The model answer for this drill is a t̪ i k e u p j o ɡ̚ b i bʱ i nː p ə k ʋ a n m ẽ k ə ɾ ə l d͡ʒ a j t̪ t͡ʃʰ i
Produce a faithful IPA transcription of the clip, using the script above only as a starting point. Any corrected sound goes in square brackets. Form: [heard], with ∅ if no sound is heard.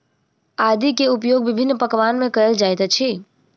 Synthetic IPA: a [d̪] i k e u p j o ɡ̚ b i bʱ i nː p ə k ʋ a n m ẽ k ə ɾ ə l d͡ʒ a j t̪ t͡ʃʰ i